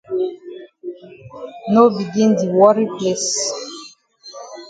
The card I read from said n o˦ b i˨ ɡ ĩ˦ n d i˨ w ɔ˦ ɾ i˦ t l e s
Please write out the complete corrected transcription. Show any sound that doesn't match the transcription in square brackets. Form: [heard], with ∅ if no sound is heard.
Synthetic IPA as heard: n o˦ b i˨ ɡ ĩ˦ n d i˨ w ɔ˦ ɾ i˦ [p] l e s